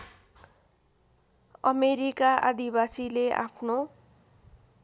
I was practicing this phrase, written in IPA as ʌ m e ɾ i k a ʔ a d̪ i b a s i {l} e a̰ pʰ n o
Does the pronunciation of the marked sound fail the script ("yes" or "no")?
no